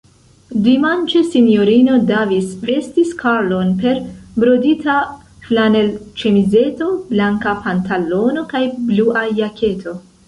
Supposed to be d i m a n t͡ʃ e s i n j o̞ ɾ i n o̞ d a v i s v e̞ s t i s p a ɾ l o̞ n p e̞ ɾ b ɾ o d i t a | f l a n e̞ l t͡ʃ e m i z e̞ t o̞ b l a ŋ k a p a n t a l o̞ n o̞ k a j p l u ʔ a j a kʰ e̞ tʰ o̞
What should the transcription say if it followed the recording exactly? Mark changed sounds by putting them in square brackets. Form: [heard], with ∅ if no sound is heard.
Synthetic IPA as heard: d i m a n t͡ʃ e s i n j o̞ ɾ i n o̞ d a v i s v e̞ s t i s [k] a ɾ l o̞ n p e̞ ɾ b ɾ o d i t a | f l a n e̞ l t͡ʃ e m i z e̞ t o̞ b l a ŋ k a p a n t a l o̞ n o̞ k a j [b] l u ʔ a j a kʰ e̞ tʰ o̞